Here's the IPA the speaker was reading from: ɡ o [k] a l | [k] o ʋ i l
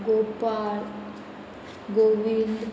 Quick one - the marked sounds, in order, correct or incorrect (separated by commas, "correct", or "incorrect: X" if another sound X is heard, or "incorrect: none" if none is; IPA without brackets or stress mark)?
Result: incorrect: p, incorrect: ɡ